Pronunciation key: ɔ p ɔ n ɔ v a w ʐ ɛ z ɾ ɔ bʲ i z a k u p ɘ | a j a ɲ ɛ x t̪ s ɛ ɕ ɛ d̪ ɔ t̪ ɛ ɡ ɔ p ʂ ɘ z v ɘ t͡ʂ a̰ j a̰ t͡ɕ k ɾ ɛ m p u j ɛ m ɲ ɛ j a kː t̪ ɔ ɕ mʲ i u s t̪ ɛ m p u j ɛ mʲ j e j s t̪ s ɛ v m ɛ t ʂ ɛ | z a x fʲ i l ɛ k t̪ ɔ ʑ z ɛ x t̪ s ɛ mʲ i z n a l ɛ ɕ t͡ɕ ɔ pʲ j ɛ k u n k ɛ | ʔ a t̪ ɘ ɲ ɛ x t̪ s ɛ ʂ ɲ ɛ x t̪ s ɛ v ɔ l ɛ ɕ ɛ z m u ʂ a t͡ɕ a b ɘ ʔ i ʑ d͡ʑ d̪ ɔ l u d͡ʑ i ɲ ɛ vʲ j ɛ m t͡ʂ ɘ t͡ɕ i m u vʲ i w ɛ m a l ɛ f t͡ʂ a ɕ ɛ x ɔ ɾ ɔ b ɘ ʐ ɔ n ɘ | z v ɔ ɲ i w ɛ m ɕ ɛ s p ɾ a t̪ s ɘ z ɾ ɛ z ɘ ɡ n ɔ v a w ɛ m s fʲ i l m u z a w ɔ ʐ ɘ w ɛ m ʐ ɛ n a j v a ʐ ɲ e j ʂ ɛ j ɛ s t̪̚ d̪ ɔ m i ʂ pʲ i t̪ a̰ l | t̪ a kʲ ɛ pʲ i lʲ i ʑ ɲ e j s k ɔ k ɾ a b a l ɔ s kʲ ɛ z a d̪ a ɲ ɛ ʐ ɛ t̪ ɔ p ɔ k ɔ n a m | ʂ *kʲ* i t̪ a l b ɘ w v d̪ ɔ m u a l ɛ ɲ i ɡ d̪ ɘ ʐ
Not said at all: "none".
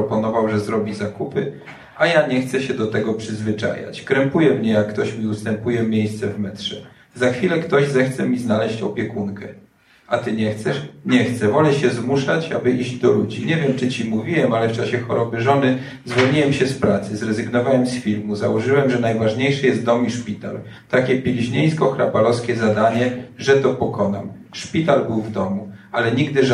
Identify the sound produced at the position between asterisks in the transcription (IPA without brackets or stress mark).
pʲ